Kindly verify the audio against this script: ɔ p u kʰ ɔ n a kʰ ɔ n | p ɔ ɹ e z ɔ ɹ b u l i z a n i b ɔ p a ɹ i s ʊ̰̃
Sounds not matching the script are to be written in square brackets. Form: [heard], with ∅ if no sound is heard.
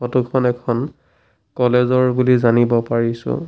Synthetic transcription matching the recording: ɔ [t] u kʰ ɔ n [ɛ] kʰ ɔ n | [k] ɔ [l] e z ɔ ɹ b u l i z a n i b ɔ p a ɹ i s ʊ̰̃